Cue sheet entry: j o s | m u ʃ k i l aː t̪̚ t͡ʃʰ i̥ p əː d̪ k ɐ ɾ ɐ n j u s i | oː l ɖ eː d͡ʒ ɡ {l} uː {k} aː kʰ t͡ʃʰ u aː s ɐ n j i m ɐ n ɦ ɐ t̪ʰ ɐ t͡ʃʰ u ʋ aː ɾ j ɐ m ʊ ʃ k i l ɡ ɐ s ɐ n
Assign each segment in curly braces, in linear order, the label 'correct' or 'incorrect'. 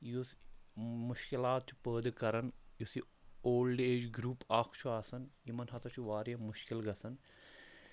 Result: incorrect: ɾ, incorrect: p

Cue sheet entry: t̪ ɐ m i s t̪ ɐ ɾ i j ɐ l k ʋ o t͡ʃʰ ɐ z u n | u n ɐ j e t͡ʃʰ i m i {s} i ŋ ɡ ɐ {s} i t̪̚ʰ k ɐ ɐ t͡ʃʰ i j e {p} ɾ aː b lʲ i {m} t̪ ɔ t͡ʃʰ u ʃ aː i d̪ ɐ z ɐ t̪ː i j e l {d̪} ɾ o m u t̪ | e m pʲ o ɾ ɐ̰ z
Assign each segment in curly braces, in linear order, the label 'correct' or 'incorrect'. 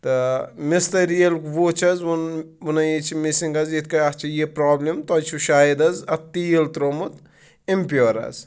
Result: correct, incorrect: z, correct, correct, incorrect: t̪

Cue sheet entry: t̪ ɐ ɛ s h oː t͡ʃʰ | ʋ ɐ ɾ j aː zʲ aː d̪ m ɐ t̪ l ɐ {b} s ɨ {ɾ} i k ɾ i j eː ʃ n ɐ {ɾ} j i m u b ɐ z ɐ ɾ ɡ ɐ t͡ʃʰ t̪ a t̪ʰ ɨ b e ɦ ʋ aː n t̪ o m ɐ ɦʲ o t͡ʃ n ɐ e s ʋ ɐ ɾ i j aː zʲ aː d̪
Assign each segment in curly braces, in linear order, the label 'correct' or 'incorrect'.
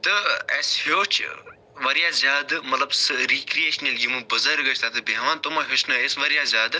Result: correct, correct, incorrect: l

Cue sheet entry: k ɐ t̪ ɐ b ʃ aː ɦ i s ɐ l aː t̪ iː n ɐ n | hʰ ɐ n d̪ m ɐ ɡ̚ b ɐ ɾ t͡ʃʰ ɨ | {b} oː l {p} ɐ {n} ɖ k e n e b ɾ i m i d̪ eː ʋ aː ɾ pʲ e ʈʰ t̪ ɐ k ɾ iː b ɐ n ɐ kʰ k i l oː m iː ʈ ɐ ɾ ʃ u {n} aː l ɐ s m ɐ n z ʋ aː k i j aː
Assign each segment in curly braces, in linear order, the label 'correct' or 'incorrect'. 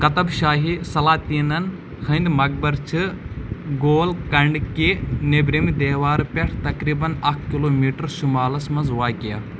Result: incorrect: ɡ, incorrect: k, incorrect: ɳ, incorrect: m

